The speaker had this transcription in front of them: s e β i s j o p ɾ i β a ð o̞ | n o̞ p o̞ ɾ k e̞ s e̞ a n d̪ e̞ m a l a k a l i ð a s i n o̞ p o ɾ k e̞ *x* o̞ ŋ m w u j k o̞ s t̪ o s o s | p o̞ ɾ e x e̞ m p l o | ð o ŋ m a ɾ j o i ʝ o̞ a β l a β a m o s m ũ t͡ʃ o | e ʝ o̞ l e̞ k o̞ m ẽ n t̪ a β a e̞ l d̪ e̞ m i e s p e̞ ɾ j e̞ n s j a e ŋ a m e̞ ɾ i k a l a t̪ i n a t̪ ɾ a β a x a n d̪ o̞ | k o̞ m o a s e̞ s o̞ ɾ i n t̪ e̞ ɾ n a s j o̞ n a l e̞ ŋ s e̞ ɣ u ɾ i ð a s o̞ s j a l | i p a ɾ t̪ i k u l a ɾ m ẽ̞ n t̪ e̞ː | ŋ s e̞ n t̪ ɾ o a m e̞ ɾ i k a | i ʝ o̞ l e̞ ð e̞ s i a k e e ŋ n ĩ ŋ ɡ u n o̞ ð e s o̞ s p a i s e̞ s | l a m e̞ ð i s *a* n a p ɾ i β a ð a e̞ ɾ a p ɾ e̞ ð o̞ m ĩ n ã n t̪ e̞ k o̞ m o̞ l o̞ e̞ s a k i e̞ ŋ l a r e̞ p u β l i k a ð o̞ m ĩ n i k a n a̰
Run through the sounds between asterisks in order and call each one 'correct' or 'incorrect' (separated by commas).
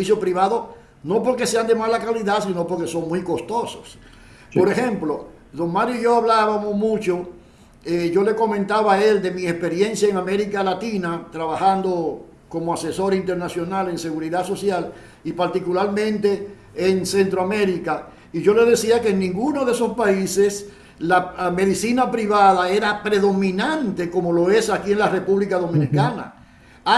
incorrect, incorrect